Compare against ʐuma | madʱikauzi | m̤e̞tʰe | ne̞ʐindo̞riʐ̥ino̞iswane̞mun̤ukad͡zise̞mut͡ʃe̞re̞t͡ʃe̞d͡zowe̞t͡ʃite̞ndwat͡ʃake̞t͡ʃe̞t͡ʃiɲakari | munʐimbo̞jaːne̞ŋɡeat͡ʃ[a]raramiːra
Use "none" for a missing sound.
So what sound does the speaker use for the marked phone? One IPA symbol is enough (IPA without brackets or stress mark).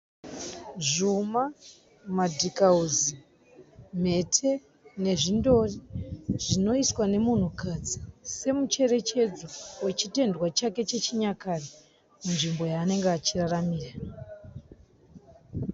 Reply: i